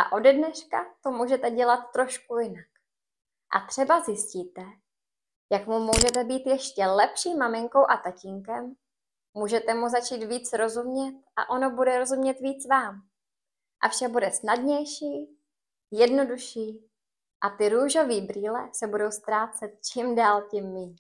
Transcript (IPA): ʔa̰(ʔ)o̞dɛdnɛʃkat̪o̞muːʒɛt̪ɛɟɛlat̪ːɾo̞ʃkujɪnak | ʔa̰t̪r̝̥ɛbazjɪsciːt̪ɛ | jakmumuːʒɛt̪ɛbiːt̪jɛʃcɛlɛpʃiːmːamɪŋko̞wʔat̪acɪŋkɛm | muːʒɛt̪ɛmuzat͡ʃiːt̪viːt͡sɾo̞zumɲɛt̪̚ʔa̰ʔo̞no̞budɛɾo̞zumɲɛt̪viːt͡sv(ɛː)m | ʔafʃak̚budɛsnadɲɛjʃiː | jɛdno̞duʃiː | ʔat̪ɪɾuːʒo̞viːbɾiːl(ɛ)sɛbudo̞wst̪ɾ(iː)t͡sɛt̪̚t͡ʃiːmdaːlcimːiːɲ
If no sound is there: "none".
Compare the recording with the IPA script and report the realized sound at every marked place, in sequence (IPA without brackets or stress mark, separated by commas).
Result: ʔ, aː, ɛ, aː